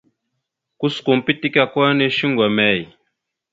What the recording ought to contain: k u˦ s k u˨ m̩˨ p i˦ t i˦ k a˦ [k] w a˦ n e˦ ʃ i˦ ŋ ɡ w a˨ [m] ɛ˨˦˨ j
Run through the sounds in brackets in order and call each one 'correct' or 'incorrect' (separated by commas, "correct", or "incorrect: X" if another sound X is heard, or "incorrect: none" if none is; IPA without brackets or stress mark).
correct, correct